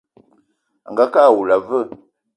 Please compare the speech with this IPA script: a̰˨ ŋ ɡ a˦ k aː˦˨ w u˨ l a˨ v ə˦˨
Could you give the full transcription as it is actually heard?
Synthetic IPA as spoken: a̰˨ ŋ ɡ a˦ k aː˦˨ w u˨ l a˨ v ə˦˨